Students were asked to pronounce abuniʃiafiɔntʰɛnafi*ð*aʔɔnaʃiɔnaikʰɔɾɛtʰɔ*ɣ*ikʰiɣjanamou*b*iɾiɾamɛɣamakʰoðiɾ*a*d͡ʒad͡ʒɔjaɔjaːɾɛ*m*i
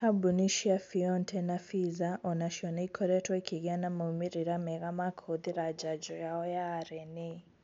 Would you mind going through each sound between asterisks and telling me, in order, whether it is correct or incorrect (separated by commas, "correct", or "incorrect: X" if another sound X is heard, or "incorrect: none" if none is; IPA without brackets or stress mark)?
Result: incorrect: z, incorrect: none, incorrect: m, correct, incorrect: n